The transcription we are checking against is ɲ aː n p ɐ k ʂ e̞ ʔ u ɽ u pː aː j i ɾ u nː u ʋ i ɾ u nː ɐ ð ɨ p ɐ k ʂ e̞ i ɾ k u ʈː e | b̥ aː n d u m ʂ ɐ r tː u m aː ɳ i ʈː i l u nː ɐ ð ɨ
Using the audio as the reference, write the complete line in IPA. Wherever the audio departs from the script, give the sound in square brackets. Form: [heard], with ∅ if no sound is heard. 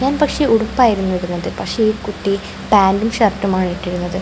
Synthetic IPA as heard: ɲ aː n p ɐ k ʂ e̞ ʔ u ɽ u pː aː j i ɾ u nː u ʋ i ɾ u nː ɐ ð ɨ p ɐ k ʂ e̞ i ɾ k u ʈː [i] | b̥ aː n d u m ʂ ɐ r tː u m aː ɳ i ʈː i [ɾ] u nː ɐ ð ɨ